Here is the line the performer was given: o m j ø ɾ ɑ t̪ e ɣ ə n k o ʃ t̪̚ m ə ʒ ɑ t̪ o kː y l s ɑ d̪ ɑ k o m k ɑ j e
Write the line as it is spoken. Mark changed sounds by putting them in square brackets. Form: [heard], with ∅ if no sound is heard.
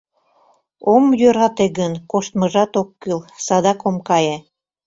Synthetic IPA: o m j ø ɾ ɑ t̪ e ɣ ə n k o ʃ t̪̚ m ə ʒ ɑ t̪ o kː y l s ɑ d̪ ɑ k o m k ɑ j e